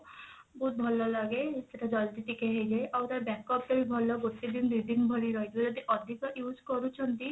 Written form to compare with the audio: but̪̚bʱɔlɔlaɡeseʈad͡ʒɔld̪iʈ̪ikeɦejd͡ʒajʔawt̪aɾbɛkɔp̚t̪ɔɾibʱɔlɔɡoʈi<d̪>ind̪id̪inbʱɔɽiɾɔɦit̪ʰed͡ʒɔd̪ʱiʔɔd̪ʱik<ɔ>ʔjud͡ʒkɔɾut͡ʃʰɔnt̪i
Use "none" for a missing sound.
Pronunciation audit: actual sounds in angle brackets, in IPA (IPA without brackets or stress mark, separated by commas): d̪, ɔ